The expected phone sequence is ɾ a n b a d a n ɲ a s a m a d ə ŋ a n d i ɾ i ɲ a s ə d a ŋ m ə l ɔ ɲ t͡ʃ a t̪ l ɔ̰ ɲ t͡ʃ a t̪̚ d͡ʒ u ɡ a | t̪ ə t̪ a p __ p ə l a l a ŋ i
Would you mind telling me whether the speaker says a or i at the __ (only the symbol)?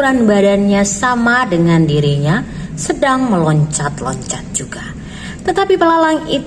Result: i